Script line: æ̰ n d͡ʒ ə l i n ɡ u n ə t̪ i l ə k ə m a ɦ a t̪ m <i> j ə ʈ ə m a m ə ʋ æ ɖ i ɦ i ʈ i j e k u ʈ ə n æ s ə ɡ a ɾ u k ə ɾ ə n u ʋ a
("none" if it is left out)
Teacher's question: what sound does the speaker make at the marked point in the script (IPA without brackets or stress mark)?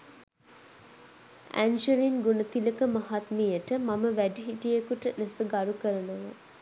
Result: i